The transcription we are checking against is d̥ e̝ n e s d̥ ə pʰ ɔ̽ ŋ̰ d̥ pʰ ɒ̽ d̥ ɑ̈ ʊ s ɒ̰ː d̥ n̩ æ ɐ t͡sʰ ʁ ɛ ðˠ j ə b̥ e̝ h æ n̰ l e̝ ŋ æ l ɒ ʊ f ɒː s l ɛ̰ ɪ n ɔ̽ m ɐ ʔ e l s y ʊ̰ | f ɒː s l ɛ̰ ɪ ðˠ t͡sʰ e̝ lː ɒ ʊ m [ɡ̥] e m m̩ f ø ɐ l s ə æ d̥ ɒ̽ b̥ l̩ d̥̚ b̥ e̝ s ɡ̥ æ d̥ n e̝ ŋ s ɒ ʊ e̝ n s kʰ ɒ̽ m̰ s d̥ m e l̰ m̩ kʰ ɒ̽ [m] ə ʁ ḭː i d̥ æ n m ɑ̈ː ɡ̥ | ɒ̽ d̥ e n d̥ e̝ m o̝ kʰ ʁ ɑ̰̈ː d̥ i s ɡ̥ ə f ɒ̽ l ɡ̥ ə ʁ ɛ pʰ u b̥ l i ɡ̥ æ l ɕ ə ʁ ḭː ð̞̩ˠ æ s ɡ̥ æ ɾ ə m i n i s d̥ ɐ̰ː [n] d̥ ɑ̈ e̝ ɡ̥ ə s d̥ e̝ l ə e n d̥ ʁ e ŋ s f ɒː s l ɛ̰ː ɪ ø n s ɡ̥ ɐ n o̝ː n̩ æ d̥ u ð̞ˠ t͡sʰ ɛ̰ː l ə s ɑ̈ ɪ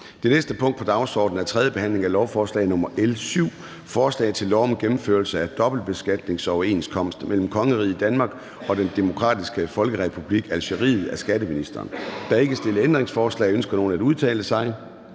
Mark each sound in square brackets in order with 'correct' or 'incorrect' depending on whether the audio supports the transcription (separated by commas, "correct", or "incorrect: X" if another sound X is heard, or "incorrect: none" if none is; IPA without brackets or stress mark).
correct, incorrect: ŋ, correct